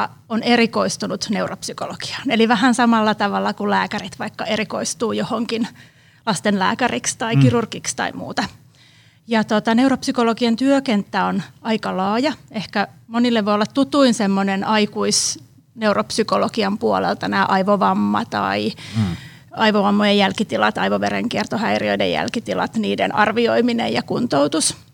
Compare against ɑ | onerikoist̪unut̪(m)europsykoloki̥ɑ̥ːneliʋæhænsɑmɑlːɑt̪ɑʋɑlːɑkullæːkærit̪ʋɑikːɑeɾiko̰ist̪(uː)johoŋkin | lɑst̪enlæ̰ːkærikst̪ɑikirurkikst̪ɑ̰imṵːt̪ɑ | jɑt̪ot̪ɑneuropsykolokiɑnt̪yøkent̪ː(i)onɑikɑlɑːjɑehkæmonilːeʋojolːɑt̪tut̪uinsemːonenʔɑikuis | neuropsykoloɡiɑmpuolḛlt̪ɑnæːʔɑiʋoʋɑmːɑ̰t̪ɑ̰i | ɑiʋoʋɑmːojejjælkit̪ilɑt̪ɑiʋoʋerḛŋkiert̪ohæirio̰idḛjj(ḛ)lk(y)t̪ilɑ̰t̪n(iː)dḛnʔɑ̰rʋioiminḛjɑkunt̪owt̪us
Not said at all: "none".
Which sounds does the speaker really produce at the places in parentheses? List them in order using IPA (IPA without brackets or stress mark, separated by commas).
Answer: n, uː, æ, æ̰, i, iː